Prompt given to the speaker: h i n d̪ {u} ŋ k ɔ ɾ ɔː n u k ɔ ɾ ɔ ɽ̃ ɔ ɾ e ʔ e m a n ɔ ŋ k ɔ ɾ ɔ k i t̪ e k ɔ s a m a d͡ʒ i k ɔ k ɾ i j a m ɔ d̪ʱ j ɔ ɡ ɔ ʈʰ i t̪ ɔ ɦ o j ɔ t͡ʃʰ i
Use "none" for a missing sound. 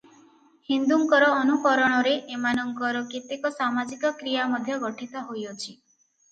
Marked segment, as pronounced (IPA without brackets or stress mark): u